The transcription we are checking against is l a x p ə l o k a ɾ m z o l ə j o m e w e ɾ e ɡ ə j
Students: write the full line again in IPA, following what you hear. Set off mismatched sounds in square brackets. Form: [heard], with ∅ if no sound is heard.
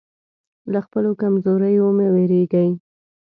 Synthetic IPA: l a x p ə l o k a [∅] m z o [ɾ] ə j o m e w e ɾ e ɡ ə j